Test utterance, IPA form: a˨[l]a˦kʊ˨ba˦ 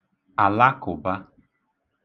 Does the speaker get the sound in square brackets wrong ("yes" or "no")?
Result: no